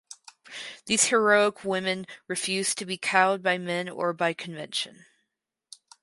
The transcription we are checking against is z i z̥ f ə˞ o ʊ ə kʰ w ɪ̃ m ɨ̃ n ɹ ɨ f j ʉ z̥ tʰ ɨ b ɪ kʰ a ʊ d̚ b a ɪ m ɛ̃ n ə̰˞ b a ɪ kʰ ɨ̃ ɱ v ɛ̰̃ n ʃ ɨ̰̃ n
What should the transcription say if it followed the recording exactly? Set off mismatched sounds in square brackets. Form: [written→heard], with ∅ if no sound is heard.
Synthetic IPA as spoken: [z→ð] i z̥ [f→h] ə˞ o ʊ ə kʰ w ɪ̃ m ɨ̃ n ɹ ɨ f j ʉ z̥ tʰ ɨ b [ɪ→i] kʰ a ʊ d̚ b a ɪ m ɛ̃ n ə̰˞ b a ɪ kʰ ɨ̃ ɱ v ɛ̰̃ n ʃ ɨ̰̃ n